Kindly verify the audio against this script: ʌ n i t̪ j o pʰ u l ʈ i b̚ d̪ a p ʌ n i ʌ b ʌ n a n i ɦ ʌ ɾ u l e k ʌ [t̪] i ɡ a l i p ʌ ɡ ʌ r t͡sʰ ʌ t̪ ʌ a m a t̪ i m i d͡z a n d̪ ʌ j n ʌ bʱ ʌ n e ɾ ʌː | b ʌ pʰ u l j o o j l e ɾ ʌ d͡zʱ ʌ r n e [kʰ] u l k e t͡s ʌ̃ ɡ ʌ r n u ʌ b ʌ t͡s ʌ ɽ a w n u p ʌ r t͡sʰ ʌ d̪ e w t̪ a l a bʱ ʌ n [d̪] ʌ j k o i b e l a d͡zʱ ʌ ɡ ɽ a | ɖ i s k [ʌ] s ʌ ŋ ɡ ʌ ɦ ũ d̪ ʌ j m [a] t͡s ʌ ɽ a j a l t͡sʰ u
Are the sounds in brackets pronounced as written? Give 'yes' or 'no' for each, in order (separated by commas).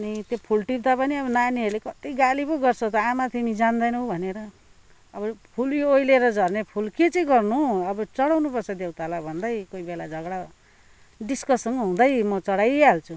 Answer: yes, no, yes, yes, no